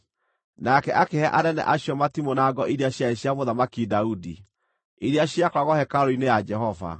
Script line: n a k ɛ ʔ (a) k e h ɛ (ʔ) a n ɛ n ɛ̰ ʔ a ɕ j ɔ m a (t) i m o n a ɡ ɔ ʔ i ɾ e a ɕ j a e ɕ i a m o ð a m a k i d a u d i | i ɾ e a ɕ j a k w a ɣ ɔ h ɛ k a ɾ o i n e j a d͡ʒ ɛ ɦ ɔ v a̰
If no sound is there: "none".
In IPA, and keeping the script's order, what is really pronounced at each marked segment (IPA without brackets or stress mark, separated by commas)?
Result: a, ʔ, t